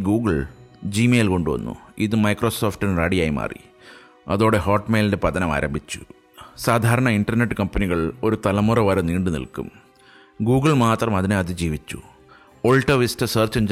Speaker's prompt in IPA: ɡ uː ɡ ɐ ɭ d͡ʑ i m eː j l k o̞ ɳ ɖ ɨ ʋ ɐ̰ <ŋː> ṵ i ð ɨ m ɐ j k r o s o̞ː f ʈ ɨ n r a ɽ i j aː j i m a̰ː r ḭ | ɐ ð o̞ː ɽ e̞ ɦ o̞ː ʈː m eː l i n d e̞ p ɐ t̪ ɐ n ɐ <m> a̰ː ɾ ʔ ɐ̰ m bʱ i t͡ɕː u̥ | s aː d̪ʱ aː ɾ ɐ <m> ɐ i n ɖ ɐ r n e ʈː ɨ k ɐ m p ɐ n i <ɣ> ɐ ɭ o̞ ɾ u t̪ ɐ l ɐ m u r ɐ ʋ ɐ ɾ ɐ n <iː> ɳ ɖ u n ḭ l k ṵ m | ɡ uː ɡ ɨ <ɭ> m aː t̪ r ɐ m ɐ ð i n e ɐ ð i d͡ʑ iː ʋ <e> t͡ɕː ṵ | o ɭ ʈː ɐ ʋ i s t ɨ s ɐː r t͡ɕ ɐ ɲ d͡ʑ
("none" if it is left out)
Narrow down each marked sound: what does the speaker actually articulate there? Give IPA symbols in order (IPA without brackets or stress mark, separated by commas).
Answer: nː, m, ɳ, ɣ, iː, ɭ, i